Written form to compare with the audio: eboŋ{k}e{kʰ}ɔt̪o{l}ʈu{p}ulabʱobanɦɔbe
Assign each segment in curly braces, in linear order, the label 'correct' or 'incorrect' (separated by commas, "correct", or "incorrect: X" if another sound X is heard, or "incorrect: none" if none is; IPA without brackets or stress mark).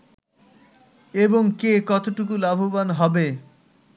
correct, incorrect: k, incorrect: none, incorrect: k